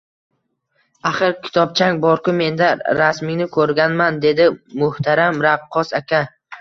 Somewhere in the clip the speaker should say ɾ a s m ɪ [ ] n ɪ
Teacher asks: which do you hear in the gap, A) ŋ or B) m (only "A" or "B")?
A